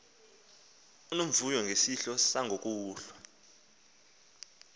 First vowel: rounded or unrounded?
rounded